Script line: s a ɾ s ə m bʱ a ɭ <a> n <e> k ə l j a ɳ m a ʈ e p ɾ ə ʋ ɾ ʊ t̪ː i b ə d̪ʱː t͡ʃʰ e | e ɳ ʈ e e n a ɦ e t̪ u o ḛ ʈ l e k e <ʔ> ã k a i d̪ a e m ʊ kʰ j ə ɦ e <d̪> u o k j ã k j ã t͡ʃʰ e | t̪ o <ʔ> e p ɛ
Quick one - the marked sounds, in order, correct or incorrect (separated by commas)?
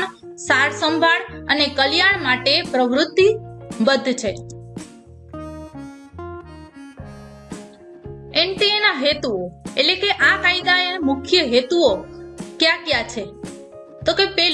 incorrect, correct, correct, incorrect, incorrect